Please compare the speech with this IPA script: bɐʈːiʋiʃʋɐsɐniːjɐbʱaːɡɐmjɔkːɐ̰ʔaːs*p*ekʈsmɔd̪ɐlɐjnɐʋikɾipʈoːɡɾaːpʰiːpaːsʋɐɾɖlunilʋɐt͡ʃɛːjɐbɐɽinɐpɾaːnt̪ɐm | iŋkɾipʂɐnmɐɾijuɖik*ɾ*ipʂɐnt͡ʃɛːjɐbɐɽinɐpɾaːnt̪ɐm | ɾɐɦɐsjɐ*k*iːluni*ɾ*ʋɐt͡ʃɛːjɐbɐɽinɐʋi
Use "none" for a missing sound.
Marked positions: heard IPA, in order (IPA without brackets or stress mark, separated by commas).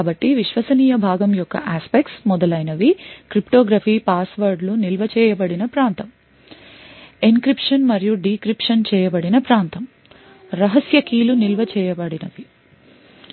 p, ɾ, k, l